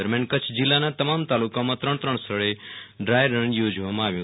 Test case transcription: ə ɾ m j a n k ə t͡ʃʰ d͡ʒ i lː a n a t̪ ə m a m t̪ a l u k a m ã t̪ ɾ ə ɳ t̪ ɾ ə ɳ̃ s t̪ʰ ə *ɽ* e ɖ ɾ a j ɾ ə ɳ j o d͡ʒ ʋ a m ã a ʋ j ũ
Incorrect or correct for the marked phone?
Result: incorrect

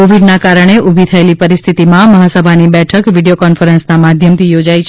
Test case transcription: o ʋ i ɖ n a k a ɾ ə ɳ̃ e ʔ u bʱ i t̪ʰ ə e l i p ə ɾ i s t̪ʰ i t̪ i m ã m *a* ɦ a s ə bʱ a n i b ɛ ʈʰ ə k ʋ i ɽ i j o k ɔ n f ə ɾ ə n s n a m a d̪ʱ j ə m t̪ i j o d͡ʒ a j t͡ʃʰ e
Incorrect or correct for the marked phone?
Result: incorrect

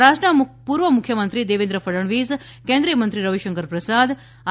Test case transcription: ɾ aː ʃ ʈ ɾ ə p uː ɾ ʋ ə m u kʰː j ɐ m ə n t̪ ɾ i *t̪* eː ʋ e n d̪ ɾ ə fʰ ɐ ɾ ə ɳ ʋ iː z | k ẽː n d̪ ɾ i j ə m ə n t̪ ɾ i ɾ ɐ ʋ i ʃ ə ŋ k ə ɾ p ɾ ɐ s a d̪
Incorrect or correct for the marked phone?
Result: incorrect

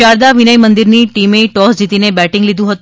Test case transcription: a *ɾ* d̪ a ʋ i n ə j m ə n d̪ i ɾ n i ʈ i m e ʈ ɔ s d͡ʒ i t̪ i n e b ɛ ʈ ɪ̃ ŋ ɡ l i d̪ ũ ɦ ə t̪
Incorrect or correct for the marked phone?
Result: correct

